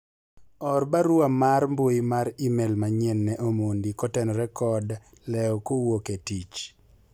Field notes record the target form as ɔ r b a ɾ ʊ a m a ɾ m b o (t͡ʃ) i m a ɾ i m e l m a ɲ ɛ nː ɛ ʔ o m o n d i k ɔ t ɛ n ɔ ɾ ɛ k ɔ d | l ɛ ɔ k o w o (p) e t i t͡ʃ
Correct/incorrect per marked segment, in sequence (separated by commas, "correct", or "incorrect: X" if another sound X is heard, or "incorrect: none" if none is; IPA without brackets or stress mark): incorrect: none, incorrect: k